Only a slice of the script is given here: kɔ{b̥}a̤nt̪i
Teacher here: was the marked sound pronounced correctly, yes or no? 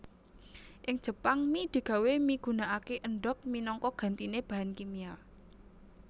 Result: no